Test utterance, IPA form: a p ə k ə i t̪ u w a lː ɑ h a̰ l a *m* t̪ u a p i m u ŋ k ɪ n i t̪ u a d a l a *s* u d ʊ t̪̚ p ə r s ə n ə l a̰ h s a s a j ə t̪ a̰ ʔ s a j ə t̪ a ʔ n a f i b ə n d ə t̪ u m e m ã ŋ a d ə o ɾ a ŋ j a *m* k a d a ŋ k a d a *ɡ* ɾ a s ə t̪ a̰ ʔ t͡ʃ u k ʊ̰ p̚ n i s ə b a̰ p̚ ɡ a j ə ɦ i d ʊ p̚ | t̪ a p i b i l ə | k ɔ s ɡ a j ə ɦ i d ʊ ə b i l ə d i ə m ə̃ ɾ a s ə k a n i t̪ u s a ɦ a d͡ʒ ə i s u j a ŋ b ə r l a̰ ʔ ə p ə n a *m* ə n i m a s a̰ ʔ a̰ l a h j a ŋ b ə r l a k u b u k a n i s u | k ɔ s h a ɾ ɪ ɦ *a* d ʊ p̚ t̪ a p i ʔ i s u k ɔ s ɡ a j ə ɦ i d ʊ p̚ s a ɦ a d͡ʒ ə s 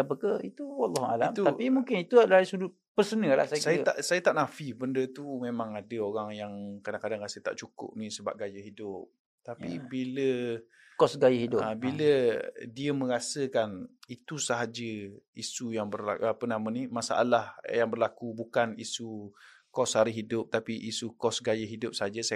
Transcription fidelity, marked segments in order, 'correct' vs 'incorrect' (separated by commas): correct, correct, incorrect, incorrect, correct, incorrect